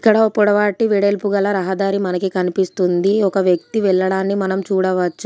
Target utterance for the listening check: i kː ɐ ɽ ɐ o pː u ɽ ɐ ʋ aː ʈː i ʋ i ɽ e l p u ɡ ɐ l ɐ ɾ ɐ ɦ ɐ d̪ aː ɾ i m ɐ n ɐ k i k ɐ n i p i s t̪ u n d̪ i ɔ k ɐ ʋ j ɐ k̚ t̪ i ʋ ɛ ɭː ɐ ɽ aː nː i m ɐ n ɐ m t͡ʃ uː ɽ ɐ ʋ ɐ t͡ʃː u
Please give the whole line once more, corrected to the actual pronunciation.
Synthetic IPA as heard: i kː ɐ ɽ ɐ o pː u ɽ ɐ ʋ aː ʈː i ʋ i ɽ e l p u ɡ ɐ l ɐ ɾ ɐ ɦ ɐ d̪ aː ɾ i m ɐ n ɐ k i k ɐ n i p i s t̪ u n d̪ i ɔ k ɐ ʋ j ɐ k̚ t̪ i ʋ ɛ ɭː ɐ ɽ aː nː i m ɐ n ɐ m t͡ʃ uː ɽ ɐ ʋ ɐ t͡ʃː u